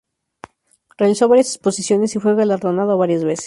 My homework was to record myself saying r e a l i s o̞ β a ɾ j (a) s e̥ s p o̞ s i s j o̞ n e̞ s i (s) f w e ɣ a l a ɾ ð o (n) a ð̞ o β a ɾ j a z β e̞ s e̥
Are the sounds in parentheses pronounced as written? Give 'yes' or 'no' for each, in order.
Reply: yes, no, yes

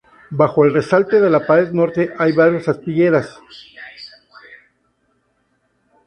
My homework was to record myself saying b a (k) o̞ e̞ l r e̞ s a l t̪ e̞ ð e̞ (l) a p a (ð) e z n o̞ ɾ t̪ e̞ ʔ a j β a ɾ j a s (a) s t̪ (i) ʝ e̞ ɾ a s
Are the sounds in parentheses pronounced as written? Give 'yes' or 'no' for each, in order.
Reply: no, yes, no, yes, yes

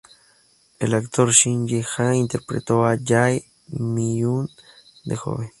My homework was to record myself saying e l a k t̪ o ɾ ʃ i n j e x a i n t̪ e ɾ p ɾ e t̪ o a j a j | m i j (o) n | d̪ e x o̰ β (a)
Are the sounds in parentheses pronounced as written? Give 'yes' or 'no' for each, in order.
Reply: no, no

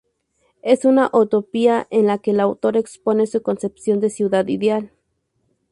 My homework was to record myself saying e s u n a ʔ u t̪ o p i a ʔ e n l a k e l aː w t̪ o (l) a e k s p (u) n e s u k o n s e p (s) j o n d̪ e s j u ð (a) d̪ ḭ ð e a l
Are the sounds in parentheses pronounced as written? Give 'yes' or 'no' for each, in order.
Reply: no, no, yes, yes

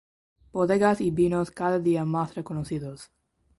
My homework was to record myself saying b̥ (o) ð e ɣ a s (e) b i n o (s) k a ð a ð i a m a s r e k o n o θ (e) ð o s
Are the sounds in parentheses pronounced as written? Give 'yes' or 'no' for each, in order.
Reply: yes, no, yes, no

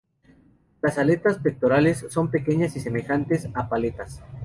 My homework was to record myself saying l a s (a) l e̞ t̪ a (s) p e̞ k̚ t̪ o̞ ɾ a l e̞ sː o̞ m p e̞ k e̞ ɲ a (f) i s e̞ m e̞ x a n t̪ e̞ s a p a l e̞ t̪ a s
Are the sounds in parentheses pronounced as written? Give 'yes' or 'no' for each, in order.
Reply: yes, yes, no

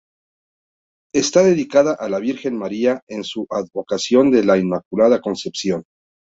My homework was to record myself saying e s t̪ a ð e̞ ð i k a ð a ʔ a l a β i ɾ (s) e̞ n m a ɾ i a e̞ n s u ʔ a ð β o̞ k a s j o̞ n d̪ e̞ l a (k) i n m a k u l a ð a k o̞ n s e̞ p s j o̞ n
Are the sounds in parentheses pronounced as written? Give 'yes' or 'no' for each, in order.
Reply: no, no

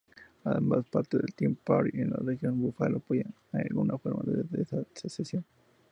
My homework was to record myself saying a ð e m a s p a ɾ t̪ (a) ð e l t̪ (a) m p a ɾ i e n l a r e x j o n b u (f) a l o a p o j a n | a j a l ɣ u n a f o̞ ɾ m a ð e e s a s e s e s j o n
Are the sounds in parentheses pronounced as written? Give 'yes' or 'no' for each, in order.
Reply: no, no, yes

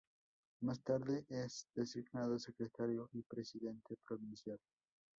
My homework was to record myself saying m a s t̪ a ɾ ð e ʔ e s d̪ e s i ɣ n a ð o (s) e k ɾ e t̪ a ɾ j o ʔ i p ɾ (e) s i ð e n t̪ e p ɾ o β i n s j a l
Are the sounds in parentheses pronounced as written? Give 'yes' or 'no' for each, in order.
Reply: yes, yes

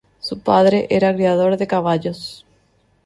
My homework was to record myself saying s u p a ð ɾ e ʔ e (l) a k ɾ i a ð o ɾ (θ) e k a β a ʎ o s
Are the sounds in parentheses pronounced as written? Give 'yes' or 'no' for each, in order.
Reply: no, no

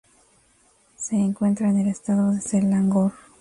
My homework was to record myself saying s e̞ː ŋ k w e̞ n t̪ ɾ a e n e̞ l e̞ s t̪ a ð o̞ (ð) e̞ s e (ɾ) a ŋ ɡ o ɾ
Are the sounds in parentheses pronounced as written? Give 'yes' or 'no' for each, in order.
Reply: yes, no

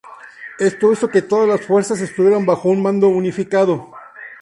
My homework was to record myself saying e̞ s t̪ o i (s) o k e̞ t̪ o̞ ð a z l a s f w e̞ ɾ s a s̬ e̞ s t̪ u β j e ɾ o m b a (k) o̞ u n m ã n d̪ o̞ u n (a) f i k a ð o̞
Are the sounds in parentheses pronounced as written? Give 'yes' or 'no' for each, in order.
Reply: yes, no, no

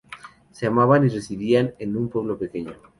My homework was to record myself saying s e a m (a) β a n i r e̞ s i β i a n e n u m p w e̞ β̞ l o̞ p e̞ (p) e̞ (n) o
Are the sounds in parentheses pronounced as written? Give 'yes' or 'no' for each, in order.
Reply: yes, no, no

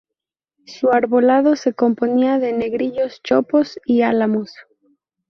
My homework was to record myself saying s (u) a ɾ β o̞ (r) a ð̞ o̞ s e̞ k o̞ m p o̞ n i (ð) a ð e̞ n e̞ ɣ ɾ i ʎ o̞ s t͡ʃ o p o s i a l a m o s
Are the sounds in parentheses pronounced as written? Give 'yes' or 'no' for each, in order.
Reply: yes, no, no

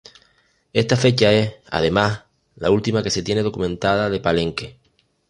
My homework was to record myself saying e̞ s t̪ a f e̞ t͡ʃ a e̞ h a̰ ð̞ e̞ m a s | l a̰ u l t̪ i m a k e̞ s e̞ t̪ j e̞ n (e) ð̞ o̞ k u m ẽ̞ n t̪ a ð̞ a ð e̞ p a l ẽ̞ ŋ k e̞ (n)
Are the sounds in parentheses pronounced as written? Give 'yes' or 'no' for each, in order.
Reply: yes, no

